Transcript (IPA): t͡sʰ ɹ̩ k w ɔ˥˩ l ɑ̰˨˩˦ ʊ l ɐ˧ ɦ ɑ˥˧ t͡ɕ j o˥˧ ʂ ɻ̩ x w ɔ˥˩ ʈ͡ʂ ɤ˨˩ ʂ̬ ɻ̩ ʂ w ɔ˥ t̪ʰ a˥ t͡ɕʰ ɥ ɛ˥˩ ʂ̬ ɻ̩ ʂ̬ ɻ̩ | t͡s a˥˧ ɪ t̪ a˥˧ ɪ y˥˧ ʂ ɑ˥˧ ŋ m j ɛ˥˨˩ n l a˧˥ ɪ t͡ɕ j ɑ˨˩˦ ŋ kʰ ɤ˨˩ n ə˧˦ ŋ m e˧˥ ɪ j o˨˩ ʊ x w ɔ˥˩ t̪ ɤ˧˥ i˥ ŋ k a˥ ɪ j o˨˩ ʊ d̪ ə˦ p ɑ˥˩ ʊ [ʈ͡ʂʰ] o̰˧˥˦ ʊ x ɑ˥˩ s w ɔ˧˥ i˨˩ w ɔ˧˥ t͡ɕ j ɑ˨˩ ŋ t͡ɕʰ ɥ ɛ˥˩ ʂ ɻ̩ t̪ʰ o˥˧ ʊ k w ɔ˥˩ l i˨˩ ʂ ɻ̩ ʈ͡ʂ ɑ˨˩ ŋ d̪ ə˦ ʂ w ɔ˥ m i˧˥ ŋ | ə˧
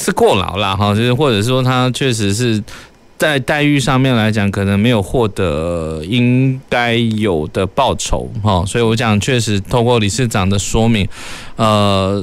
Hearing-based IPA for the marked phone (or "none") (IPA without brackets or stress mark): ʈ͡ʂʰ